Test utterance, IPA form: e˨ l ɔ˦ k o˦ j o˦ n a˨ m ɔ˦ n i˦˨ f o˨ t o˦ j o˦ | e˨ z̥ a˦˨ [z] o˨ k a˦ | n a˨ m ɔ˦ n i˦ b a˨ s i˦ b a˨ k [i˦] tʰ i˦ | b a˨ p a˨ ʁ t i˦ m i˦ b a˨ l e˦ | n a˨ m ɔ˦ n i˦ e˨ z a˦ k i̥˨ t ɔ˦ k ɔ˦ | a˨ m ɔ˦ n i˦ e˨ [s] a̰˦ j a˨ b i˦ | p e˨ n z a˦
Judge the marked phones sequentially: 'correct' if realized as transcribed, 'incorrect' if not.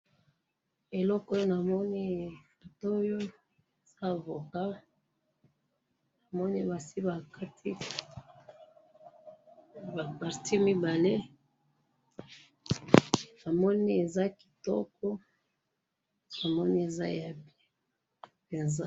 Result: incorrect, incorrect, incorrect

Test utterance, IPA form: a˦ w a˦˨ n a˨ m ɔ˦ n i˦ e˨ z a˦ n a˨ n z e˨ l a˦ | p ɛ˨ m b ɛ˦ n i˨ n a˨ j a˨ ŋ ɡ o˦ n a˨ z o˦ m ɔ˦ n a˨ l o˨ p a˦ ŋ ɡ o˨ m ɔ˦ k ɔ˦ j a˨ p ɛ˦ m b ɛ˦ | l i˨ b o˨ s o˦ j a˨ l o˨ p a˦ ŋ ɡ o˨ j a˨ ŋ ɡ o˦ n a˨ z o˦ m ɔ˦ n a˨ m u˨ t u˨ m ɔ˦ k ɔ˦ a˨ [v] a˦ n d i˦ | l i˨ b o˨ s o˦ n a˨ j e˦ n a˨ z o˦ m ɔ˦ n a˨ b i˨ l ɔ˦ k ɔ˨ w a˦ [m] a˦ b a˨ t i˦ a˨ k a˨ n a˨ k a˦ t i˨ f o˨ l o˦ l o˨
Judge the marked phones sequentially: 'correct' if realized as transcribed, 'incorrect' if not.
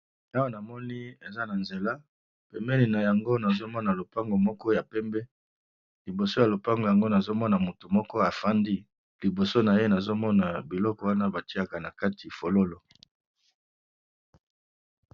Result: incorrect, incorrect

